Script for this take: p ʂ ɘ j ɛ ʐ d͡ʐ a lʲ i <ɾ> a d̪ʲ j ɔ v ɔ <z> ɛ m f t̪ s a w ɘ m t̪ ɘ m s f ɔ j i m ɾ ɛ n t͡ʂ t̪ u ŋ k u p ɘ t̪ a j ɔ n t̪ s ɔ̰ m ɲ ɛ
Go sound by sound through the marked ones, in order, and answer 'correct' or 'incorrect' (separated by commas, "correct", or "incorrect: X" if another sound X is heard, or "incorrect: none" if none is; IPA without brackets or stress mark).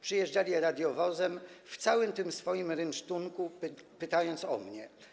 correct, correct